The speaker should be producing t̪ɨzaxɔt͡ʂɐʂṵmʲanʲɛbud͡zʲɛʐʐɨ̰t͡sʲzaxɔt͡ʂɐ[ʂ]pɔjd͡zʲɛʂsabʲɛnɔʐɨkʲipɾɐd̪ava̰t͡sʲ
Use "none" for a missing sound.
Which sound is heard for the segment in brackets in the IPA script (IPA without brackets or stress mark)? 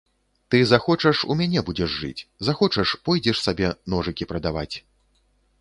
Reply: ʂ